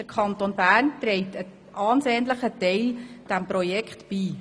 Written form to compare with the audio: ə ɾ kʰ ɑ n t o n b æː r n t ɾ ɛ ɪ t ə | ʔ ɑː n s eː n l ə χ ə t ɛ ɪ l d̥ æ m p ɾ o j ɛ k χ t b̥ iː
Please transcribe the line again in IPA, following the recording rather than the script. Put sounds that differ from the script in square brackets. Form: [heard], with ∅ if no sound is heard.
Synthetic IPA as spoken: ə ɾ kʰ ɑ n t o n b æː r n t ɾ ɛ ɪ t ə | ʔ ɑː n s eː n l ə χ ə t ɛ ɪ l d̥ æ m p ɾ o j ɛ k χ t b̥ iː